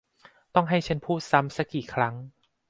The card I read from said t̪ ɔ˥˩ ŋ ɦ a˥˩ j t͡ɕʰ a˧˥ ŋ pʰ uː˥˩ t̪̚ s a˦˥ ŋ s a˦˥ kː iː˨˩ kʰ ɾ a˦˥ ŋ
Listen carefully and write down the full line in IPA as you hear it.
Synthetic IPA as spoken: t̪ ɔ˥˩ ŋ ɦ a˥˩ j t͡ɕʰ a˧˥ n pʰ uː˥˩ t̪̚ s a˦˥ m s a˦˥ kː iː˨˩ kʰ ɾ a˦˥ ŋ